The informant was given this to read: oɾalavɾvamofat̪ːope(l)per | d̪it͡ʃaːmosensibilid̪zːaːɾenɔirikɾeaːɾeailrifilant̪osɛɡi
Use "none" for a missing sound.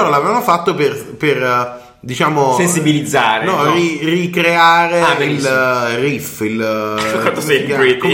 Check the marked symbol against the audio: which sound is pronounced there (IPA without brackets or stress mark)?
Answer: r